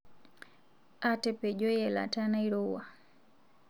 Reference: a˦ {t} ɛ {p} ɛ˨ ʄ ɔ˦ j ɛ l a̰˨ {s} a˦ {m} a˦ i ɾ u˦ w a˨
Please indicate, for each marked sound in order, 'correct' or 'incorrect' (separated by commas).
correct, correct, incorrect, incorrect